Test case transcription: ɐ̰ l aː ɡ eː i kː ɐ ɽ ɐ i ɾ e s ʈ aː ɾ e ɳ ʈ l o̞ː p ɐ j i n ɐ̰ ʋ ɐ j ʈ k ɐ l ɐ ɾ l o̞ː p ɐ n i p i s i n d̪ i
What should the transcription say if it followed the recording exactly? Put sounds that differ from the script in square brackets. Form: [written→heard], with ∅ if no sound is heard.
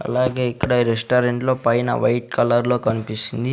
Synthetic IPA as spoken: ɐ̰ l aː ɡ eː i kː ɐ ɽ ɐ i ɾ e s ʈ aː ɾ e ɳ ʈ l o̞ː p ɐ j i n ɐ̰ ʋ ɐ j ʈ k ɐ l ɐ ɾ l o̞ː [p→k] ɐ n i p i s i n d̪ i